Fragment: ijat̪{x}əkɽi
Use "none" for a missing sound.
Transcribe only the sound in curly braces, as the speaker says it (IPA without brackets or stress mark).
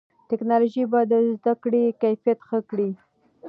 x